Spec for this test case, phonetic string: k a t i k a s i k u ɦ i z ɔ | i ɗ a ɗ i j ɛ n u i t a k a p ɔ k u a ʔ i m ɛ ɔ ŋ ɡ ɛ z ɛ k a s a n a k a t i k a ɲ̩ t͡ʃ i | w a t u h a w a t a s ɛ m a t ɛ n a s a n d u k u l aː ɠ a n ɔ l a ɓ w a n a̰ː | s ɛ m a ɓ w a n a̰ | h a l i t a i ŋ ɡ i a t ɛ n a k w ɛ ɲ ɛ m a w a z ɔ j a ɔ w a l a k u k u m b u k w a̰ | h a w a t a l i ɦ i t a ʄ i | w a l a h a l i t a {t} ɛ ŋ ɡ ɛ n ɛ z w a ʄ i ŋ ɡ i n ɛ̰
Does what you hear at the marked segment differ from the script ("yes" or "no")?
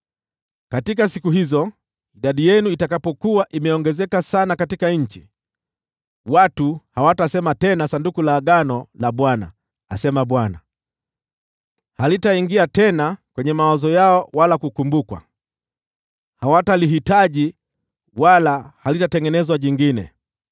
no